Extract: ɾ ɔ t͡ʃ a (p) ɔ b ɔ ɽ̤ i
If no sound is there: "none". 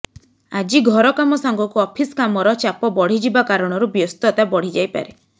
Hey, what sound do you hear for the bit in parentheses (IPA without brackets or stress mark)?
p